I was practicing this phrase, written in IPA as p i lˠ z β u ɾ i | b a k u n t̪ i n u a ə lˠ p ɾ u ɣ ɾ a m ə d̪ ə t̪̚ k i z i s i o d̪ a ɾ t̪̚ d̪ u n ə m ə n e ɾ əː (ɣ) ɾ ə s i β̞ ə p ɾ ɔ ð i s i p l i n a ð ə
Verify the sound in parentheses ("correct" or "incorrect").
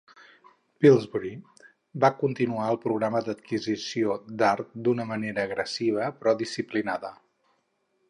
correct